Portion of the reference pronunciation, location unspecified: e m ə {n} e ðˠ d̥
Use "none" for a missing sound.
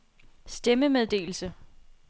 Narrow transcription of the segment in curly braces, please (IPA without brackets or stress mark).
m